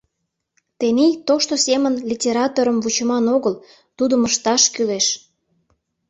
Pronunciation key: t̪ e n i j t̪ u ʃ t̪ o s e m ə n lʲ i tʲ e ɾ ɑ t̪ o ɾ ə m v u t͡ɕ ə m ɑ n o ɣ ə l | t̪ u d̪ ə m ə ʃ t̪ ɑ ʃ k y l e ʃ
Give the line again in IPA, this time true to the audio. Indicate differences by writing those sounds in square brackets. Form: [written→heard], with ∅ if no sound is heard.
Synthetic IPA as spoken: t̪ e n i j t̪ [u→o] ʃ t̪ o s e m ə n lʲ i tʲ e ɾ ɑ t̪ o ɾ ə m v u t͡ɕ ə m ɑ n o ɣ ə l | t̪ u d̪ ə m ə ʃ t̪ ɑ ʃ k y l e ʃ